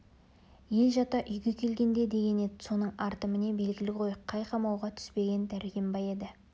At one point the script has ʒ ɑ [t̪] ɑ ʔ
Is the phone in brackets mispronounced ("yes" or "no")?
no